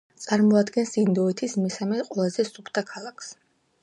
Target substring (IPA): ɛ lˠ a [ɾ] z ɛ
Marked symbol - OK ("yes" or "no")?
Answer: no